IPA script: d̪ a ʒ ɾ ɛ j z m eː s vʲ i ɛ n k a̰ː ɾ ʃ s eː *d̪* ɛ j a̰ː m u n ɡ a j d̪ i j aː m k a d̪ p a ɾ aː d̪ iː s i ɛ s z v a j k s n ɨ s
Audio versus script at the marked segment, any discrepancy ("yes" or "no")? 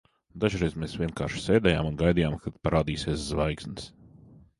no